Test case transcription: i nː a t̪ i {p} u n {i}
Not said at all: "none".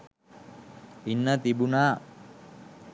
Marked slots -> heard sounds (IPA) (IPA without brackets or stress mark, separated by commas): b, a